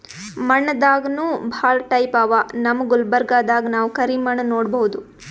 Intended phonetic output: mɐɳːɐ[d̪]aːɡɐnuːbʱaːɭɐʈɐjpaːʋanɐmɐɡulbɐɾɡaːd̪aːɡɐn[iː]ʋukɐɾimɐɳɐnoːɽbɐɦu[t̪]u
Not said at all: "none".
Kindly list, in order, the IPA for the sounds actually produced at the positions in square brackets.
d̪, aː, d̪

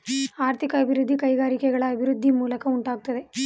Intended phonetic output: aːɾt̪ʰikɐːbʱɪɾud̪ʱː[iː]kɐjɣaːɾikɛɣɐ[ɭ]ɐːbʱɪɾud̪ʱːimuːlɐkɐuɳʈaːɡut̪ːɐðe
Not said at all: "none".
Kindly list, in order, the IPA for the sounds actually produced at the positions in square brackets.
i, ɭ

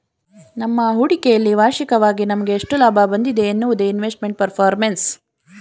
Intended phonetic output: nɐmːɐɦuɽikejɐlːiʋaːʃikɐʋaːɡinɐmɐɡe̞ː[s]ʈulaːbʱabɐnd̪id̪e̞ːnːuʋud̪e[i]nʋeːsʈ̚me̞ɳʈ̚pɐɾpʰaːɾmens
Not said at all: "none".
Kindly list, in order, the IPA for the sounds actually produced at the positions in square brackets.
ʂ, i

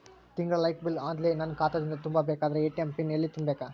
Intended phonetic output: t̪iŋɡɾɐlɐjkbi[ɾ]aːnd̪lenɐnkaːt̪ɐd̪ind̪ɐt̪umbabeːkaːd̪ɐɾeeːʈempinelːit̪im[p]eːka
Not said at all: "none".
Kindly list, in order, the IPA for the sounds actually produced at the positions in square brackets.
l, b

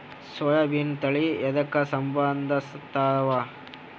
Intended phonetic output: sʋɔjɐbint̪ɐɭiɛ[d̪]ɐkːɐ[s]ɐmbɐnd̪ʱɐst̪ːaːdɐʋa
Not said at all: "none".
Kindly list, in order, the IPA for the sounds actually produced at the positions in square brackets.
d̪, s

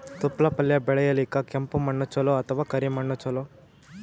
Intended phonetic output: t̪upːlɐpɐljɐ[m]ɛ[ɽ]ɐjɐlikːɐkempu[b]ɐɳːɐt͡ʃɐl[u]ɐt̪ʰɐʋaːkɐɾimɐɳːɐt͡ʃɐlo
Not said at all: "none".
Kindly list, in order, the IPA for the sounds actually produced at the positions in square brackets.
b, ɭ, m, o

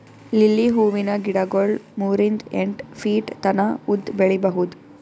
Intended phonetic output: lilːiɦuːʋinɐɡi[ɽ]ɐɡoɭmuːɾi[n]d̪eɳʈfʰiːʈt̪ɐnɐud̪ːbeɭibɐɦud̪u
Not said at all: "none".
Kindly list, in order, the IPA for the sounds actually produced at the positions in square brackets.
ɽ, n

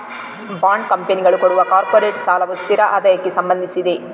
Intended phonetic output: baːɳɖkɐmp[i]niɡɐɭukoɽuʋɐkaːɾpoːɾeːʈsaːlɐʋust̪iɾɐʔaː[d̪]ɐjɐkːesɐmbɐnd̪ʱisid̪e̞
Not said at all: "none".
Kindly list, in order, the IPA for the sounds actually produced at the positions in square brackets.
e, d̪

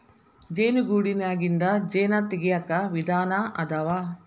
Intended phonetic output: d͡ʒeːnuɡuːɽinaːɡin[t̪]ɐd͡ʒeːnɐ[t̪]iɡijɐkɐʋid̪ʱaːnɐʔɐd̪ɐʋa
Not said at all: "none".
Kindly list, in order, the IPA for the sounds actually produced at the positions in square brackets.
d̪, t̪

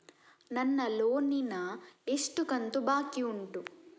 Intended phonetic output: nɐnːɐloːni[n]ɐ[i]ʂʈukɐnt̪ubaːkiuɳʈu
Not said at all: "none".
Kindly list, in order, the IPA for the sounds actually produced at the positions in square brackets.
n, e

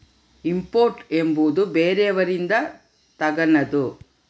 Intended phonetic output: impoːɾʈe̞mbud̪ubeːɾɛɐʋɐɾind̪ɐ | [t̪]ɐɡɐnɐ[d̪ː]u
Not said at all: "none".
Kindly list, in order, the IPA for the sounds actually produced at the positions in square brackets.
t̪, d̪

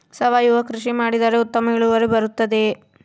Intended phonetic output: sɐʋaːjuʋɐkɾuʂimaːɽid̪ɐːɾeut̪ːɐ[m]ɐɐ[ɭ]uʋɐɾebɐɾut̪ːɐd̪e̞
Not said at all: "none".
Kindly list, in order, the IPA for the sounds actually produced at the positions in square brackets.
m, ɭ

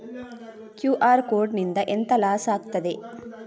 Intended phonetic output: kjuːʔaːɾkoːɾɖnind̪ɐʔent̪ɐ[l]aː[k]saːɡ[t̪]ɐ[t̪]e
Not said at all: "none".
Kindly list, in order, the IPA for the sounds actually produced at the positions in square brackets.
l, none, t̪, d̪

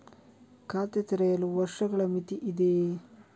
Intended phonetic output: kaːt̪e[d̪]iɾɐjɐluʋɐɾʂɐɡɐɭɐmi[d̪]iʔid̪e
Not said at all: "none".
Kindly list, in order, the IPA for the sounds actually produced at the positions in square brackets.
t̪, t̪

